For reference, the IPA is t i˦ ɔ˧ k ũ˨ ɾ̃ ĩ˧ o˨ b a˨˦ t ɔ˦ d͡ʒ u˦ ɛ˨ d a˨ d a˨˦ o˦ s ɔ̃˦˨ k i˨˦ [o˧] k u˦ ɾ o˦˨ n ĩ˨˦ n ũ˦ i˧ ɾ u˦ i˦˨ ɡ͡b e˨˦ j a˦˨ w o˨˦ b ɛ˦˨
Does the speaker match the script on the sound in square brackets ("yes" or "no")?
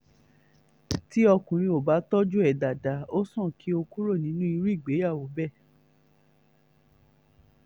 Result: yes